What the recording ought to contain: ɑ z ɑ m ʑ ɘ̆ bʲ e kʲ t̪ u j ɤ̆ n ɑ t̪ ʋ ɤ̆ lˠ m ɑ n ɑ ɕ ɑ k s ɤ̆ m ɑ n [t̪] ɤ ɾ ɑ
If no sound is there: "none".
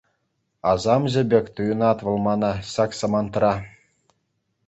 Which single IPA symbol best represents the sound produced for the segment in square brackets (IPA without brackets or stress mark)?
t̪